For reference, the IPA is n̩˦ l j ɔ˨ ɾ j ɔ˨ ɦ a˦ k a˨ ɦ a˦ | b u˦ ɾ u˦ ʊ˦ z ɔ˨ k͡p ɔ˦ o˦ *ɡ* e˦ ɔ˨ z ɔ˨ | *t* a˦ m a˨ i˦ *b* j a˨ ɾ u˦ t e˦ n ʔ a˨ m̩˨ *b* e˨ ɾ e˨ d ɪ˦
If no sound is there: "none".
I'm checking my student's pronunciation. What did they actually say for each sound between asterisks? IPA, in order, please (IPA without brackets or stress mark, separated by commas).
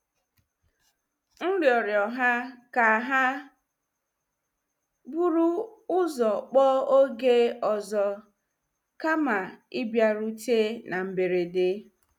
ɡ, k, b, b